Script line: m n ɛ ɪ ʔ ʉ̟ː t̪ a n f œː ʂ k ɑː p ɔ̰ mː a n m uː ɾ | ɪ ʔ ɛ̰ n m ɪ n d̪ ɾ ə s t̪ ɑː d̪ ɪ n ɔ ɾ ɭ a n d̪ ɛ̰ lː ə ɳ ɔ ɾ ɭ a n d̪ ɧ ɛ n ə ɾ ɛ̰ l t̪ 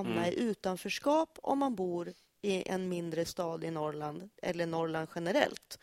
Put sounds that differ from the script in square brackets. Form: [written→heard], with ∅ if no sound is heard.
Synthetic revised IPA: m n [ɛ→a] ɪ ʔ ʉ̟ː t̪ a n f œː ʂ k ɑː p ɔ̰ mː a n [m→b] uː ɾ | ɪ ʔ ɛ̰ n m ɪ n d̪ ɾ ə s t̪ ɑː d̪ ɪ n ɔ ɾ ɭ a n d̪ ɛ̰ lː ə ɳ ɔ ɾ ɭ a n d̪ ɧ ɛ n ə ɾ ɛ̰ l t̪